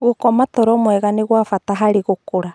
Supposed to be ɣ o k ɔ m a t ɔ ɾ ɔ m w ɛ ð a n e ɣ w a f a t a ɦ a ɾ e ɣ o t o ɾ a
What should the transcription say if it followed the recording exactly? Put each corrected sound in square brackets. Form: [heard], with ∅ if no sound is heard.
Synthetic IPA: ɣ o k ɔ m a t ɔ ɾ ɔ m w ɛ [ɣ] a n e ɣ w a f a t a ɦ a ɾ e ɣ o [k] o ɾ a